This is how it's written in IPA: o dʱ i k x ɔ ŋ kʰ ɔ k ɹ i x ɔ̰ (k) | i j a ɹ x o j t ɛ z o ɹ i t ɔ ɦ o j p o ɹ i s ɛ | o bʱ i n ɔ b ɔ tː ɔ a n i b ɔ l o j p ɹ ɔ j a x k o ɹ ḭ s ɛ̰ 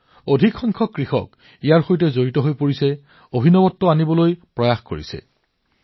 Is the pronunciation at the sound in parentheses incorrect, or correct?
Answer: correct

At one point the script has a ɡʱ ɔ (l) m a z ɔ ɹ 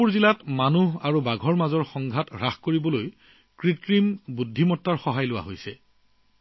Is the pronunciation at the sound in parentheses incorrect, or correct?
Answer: incorrect: ɹ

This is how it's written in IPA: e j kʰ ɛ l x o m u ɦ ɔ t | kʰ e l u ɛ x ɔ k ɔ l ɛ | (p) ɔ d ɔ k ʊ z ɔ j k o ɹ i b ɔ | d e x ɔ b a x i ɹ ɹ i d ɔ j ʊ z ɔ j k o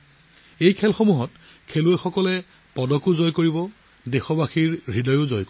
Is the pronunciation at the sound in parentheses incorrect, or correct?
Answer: correct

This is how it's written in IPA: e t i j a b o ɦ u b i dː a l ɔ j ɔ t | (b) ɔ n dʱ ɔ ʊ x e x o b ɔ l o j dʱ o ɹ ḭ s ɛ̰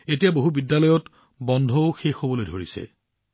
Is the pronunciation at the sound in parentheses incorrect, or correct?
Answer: correct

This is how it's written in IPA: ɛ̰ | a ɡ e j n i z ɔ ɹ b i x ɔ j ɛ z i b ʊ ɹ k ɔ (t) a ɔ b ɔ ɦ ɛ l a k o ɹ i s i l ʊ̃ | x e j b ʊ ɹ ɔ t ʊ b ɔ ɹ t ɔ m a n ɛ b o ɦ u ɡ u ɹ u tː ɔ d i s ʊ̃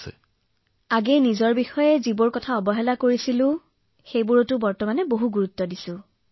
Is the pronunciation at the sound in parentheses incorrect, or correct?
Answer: incorrect: tʰ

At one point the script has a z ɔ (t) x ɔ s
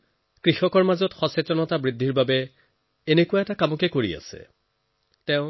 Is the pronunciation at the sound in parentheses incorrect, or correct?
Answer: correct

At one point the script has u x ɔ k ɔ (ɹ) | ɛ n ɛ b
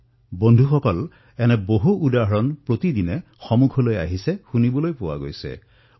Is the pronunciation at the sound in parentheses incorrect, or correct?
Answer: incorrect: l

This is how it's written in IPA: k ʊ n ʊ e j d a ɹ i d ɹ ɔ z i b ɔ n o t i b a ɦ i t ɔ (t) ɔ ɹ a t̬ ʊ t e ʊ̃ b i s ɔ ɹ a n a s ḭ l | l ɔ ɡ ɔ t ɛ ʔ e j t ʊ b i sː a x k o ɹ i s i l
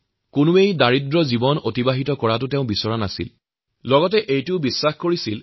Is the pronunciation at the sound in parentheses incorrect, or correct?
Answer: incorrect: k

